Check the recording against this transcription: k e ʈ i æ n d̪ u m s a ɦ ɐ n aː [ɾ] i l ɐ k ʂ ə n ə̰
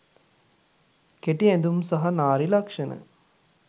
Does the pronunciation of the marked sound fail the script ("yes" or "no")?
no